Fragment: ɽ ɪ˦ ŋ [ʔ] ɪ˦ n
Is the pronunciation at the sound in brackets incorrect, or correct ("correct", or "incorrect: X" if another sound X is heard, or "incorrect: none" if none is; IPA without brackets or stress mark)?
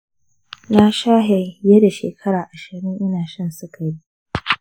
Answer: correct